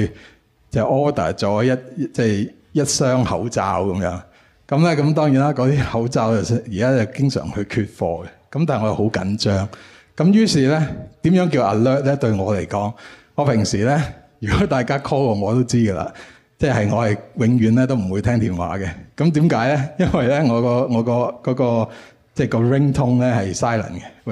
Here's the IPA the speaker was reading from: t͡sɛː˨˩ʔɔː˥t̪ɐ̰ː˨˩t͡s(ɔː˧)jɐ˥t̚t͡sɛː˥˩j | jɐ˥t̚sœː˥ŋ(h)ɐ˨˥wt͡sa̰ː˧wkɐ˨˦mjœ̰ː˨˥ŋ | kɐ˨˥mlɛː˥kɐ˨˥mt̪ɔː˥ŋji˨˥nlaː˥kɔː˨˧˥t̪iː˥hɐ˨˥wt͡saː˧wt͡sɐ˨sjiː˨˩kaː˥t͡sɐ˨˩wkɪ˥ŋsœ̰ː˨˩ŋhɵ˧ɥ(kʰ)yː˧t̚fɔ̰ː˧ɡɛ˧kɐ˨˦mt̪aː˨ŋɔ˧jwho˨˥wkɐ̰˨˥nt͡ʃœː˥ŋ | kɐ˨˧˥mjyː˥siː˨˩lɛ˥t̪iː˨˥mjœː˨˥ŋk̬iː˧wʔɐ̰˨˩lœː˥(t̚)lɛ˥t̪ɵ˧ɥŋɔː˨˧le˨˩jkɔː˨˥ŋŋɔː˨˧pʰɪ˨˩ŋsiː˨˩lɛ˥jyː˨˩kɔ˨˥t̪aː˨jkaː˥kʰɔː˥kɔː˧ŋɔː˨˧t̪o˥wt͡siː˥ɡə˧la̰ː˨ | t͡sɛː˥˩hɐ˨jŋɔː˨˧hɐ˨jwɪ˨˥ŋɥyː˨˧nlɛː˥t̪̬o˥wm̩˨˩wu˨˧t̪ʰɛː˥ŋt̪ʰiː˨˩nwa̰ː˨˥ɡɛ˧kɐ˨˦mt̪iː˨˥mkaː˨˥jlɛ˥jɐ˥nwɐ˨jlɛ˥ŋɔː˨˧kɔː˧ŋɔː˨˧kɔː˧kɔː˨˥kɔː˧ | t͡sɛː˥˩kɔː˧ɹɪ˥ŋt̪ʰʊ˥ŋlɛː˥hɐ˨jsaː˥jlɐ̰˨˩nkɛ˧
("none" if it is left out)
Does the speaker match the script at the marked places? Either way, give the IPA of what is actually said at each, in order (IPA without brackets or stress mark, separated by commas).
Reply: ɔː˨˥, h, kʰ, t̚